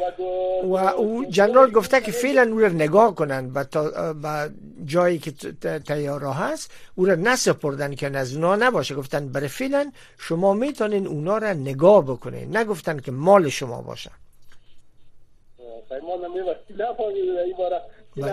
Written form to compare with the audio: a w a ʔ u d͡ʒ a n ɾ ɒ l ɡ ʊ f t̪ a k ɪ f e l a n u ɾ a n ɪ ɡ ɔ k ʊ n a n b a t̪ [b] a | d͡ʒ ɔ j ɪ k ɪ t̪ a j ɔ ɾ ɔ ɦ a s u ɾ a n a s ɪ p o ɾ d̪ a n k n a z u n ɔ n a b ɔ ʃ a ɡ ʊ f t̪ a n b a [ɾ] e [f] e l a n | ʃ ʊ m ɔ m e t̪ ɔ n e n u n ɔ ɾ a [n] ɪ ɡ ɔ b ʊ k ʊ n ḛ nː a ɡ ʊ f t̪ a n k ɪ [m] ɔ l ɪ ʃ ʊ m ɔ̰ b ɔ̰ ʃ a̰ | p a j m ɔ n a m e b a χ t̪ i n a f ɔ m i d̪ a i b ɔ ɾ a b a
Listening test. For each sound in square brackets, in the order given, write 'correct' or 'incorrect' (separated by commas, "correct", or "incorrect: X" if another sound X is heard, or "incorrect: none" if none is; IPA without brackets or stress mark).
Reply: correct, correct, correct, correct, correct